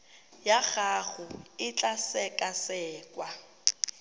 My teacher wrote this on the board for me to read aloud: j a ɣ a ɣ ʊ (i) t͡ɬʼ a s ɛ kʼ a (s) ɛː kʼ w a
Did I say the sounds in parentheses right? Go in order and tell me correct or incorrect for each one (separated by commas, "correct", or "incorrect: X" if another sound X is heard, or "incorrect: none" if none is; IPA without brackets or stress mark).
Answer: incorrect: ɪ, correct